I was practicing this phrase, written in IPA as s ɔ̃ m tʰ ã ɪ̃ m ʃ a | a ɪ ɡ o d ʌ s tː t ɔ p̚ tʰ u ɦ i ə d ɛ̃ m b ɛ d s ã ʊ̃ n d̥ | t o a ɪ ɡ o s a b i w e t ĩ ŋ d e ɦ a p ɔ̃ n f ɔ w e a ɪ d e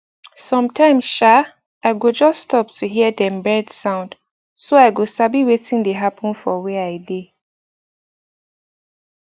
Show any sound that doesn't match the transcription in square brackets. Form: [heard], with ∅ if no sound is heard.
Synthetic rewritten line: s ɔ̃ m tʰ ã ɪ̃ m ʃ a | a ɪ ɡ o [d͡ʒ] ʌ s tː t ɔ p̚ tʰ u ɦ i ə d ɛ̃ m b ɛ d s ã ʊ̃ n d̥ | [s] o a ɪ ɡ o s a b i w e t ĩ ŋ d e ɦ a p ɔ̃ n f ɔ w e a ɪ d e